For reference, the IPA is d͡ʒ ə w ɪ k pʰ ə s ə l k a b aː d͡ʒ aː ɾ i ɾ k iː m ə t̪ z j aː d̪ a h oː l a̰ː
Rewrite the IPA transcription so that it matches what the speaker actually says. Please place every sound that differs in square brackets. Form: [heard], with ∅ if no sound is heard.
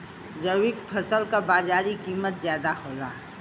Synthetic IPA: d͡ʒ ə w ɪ k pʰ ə s ə l k a b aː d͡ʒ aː ɾ i [∅] k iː m ə t̪ z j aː d̪ a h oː l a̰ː